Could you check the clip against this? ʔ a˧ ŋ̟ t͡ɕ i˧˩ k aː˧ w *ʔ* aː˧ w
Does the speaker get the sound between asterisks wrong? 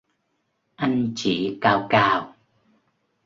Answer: yes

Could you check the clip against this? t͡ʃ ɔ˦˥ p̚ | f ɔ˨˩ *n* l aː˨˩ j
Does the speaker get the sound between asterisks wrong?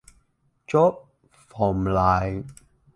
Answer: yes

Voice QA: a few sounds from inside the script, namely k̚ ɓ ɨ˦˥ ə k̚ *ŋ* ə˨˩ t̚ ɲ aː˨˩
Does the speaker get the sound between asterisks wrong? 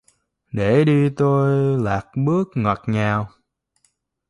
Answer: no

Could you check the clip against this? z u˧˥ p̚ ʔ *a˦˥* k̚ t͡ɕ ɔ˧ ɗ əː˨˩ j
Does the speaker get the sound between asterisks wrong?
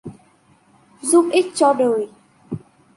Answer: yes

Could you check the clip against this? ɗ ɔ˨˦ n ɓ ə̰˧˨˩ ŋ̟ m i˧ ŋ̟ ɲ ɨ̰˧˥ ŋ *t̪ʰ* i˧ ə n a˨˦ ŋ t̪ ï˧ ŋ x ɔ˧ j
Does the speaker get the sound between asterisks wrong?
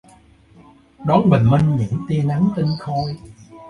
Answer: yes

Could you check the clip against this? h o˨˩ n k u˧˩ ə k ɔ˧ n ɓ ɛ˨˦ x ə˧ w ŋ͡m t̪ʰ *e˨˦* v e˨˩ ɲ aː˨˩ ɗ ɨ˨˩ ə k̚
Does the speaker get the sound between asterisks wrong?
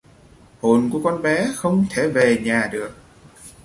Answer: yes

